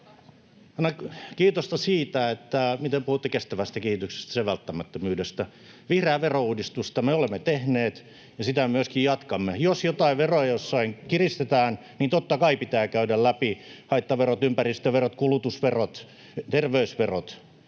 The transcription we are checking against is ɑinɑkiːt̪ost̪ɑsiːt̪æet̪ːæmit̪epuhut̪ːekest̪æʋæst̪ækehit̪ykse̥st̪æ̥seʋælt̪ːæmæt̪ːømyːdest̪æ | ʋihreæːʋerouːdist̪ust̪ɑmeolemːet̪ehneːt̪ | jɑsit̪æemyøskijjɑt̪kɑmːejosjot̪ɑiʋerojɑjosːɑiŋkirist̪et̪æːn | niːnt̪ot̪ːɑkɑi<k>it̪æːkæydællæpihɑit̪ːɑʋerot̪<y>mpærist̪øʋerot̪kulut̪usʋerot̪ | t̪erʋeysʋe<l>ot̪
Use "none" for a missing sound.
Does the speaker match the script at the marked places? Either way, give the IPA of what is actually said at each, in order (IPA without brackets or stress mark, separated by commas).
p, y, r